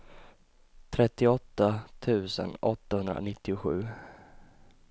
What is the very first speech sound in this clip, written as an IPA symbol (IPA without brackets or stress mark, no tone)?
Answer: t̪ʰ